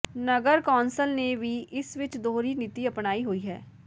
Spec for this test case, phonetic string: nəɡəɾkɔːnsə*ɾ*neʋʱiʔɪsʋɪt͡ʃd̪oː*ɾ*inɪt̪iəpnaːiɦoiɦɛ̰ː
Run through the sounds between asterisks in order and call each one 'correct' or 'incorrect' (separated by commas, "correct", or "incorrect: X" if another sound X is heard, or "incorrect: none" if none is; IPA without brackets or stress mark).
incorrect: l, correct